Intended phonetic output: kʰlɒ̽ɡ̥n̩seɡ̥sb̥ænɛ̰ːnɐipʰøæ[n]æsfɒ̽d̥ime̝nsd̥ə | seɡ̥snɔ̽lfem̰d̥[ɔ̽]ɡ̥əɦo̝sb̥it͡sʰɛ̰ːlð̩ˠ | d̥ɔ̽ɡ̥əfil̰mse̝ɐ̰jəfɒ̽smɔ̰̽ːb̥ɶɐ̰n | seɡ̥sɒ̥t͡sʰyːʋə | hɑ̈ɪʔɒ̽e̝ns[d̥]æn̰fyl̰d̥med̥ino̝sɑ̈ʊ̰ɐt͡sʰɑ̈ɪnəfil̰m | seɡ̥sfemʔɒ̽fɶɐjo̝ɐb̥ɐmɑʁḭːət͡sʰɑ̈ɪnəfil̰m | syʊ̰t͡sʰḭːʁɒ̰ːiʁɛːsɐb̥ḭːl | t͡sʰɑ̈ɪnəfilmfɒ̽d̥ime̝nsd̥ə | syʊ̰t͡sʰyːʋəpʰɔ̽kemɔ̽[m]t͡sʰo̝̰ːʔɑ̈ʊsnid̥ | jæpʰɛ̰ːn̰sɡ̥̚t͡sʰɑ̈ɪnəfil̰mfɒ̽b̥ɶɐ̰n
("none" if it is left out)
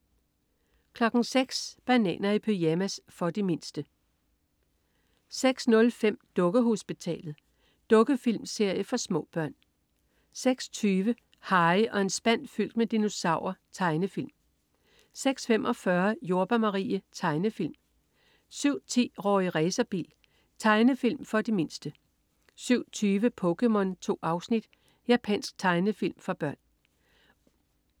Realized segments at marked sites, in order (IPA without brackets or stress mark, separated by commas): m, ɔ̽, b̥, n